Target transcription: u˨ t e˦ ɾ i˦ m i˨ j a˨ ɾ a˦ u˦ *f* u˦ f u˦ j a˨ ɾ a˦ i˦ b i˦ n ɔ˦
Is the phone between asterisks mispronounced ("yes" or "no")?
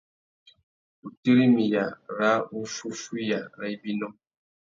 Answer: no